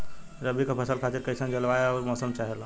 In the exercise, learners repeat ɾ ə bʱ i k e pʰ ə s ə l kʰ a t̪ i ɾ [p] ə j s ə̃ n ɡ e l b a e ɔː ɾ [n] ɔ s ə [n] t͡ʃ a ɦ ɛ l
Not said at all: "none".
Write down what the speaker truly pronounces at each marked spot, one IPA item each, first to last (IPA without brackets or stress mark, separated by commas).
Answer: k, m, m